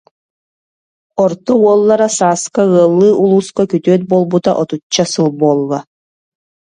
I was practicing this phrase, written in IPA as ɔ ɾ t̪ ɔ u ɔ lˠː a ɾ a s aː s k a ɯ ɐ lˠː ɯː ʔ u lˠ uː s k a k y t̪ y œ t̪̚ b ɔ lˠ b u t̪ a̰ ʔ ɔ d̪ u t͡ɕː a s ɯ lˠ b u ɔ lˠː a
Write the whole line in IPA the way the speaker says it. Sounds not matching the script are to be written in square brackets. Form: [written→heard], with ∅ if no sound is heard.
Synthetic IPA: ɔ ɾ t̪ ɔ u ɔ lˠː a ɾ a s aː s k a ɯ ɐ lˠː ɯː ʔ u lˠ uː s k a k y t̪ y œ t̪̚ b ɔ lˠ b u t̪ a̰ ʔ ɔ [d̪→t̪] u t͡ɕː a s ɯ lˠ b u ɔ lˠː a